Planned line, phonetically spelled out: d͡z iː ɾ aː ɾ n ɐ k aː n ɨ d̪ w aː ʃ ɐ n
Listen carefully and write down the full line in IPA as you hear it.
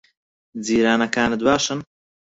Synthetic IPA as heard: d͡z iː ɾ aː n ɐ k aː n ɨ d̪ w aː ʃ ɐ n